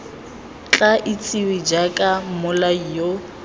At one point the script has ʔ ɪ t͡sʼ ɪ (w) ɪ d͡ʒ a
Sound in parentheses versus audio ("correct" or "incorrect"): correct